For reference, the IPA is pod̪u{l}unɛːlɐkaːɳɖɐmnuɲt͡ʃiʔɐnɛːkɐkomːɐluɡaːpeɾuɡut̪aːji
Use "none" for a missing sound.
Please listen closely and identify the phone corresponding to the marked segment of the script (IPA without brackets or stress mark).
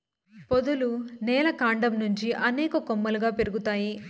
l